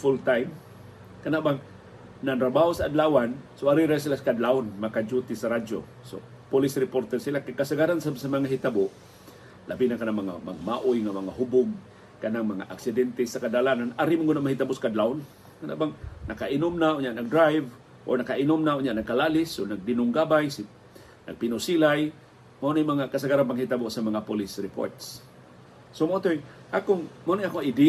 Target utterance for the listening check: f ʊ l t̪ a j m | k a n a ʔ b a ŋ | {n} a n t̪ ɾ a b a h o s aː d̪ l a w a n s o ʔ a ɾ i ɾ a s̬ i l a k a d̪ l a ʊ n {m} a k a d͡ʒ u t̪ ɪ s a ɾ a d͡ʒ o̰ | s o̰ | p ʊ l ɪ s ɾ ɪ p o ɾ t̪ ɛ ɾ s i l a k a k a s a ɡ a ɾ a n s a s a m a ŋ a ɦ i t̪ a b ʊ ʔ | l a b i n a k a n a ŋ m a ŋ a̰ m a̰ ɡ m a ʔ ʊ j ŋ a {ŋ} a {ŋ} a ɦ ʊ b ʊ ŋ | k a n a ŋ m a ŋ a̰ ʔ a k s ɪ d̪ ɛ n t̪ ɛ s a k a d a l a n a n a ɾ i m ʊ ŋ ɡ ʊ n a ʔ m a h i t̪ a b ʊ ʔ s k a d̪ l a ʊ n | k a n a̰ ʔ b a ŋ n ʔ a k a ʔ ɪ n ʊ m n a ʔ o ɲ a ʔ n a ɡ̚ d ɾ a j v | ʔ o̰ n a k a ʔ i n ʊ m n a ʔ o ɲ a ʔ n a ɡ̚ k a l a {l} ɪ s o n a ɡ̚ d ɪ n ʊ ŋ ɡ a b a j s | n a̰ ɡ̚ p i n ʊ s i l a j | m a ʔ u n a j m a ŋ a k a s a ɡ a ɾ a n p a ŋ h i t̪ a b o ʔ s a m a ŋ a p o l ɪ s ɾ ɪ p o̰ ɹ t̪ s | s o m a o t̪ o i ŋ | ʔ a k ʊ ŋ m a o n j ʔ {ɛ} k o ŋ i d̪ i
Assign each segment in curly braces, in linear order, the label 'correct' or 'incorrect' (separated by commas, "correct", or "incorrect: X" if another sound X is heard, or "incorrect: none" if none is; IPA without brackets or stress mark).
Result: correct, correct, incorrect: m, correct, correct, incorrect: a